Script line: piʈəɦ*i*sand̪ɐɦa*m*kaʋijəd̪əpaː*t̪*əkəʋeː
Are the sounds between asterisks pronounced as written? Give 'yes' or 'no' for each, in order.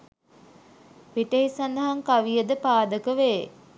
yes, no, no

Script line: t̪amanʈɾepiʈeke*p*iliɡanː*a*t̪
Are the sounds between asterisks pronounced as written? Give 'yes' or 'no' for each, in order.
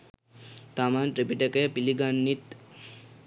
yes, no

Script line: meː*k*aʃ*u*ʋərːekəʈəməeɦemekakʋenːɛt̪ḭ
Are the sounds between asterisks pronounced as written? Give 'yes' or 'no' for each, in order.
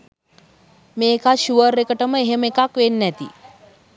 yes, yes

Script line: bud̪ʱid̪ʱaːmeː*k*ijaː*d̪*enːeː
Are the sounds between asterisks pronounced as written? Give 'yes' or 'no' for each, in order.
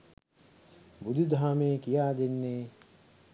yes, yes

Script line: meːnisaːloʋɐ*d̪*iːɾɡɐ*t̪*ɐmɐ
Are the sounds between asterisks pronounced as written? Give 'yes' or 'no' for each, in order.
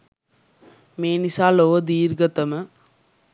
yes, yes

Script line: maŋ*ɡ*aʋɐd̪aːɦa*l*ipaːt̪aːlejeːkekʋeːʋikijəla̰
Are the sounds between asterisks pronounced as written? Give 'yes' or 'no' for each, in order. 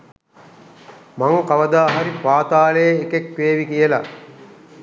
no, no

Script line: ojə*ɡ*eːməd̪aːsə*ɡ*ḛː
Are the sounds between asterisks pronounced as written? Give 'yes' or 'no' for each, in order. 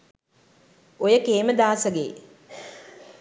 no, yes

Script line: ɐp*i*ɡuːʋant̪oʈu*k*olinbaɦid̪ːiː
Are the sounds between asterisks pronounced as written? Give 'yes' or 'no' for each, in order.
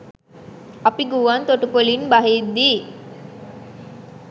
yes, no

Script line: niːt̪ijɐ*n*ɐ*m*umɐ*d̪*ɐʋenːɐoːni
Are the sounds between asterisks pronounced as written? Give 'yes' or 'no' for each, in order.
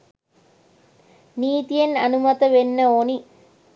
yes, no, no

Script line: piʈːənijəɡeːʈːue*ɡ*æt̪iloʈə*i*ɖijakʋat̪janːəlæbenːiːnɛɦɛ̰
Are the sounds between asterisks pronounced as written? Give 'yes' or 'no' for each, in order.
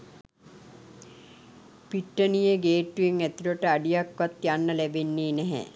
no, no

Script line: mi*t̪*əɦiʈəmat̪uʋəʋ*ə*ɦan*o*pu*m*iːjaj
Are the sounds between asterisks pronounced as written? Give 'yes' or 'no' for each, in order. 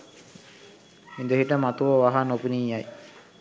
no, no, yes, no

